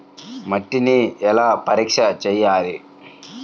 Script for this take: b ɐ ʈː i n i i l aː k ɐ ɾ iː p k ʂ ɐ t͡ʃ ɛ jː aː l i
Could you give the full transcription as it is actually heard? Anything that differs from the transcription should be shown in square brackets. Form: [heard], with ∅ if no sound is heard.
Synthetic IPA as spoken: [m] ɐ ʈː i n i [ɛ] l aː [p] ɐ ɾ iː [∅] k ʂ ɐ t͡ʃ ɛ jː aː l i